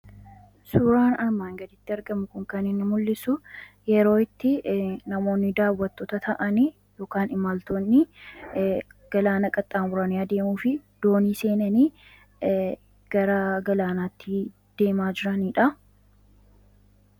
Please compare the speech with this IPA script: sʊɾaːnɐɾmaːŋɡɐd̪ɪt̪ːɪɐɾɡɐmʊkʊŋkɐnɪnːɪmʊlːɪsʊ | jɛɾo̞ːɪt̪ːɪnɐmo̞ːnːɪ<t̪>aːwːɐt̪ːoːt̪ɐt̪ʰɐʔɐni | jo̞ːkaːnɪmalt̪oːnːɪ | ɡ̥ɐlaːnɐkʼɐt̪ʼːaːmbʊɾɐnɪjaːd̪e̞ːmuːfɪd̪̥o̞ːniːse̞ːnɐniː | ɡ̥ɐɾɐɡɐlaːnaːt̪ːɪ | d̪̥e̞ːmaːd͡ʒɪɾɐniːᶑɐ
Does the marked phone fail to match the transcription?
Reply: yes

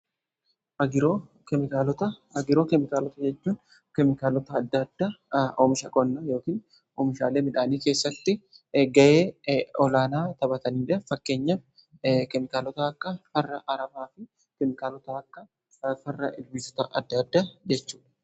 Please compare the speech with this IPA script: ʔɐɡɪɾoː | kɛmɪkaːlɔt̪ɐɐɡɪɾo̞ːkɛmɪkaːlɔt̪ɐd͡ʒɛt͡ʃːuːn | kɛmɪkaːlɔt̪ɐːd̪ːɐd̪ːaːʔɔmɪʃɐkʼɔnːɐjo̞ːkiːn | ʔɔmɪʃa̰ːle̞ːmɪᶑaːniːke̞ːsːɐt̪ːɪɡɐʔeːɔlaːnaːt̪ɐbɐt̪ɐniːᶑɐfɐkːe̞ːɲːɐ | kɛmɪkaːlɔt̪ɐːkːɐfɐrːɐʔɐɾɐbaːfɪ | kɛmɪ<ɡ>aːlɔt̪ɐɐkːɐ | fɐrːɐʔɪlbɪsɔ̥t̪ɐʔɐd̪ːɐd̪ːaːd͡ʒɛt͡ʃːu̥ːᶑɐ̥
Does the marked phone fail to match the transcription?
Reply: yes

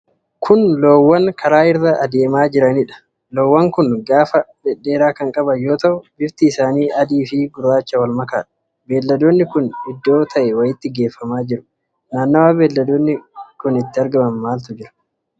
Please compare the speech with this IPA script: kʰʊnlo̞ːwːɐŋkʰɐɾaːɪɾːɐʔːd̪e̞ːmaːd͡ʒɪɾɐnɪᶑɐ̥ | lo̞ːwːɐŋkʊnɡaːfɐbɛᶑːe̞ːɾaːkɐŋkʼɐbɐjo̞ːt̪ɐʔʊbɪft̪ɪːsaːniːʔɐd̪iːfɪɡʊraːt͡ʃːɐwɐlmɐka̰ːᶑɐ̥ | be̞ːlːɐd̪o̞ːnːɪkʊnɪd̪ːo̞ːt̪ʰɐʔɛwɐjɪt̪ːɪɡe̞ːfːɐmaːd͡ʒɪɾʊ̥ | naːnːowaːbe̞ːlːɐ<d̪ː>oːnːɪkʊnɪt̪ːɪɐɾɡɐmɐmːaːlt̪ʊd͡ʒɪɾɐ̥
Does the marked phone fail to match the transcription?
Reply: yes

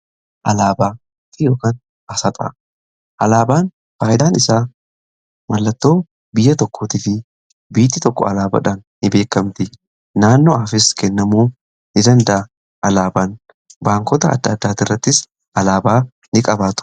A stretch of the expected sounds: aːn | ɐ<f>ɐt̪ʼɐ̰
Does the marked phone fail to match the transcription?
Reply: yes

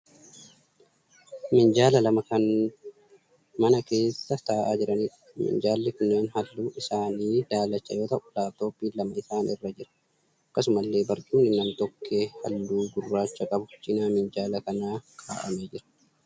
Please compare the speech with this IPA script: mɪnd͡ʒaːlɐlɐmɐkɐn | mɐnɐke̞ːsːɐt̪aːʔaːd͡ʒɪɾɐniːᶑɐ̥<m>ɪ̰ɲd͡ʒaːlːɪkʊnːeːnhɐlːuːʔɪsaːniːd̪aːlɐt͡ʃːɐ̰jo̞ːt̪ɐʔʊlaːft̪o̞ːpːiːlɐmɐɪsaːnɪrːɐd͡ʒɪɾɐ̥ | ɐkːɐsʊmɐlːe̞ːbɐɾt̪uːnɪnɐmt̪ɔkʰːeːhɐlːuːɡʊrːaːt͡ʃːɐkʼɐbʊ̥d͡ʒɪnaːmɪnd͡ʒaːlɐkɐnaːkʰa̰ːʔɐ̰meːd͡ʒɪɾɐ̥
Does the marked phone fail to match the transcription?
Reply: no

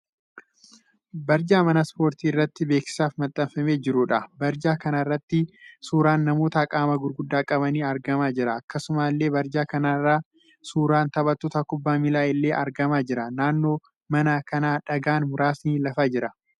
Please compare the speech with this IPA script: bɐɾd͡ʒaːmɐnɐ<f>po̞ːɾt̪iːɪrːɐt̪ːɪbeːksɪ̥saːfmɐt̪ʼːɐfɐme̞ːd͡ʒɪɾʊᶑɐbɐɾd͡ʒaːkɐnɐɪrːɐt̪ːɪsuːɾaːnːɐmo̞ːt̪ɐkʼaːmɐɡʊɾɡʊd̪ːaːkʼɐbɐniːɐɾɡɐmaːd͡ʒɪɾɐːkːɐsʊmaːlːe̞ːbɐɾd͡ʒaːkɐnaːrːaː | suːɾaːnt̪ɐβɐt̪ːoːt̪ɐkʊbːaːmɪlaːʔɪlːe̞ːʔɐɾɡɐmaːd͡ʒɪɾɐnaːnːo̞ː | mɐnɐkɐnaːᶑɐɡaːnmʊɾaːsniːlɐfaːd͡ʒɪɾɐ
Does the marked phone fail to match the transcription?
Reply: yes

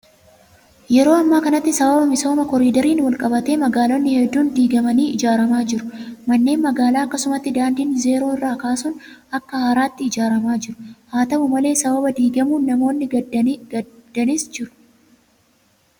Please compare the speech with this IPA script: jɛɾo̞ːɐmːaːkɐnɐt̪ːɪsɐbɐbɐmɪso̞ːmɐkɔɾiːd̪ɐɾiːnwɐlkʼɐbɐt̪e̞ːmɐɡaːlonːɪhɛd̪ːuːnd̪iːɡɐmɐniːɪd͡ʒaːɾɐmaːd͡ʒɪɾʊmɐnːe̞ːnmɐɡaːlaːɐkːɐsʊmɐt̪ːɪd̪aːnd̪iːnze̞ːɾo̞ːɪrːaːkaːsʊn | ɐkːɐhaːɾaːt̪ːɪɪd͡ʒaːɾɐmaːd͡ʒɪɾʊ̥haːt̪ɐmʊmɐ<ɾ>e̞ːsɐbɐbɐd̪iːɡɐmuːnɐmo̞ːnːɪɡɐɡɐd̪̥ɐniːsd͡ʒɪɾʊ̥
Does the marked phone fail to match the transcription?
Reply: yes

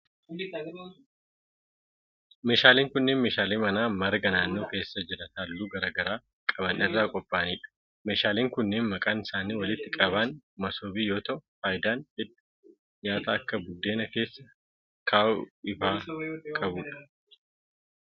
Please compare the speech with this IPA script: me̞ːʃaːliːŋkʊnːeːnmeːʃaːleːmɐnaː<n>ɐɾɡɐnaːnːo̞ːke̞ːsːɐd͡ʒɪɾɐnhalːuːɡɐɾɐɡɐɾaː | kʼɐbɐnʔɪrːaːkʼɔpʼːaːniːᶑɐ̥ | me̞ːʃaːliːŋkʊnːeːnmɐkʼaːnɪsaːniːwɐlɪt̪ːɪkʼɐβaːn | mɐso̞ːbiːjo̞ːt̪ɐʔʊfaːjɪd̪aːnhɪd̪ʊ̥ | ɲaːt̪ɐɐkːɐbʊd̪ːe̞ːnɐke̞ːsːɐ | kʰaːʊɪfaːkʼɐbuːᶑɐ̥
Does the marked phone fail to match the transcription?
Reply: yes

